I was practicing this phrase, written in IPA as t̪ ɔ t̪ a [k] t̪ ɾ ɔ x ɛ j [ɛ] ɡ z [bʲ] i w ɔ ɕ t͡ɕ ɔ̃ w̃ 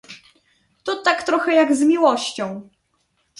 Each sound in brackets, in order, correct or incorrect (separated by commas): correct, incorrect, incorrect